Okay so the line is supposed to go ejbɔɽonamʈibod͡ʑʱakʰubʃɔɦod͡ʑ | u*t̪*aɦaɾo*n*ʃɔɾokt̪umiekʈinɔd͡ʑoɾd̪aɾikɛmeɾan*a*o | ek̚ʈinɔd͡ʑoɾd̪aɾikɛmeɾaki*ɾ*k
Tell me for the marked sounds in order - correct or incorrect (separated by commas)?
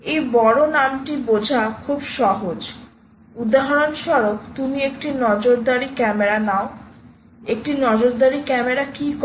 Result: incorrect, correct, correct, incorrect